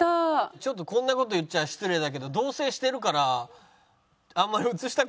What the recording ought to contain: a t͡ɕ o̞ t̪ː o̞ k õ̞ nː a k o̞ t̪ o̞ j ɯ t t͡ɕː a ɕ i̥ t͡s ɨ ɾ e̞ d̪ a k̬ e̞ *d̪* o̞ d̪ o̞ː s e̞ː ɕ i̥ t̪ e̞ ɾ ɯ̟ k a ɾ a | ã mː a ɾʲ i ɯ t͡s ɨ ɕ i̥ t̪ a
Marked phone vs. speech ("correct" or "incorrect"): correct